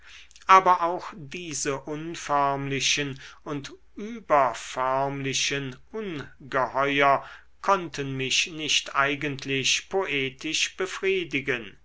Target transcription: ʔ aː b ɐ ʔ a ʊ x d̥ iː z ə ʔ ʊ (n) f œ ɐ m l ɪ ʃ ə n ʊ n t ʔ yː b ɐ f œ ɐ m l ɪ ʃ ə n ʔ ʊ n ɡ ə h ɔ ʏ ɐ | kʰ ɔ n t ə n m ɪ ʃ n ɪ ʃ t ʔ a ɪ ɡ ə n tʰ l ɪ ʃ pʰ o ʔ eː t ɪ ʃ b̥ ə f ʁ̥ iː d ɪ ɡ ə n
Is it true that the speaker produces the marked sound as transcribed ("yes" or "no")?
yes